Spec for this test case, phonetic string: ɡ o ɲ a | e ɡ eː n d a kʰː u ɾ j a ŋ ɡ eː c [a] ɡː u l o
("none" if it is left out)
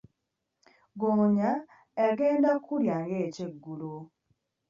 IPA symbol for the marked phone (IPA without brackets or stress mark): e